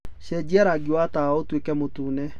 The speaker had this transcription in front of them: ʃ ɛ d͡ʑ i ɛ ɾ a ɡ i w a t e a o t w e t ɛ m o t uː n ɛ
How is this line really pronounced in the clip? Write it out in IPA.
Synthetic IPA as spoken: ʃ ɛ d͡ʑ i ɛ ɾ a ɡ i w a t a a o t w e k ɛ m o t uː n ɛ